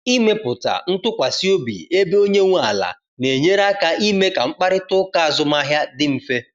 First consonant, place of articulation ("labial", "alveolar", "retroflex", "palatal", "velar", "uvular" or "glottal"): labial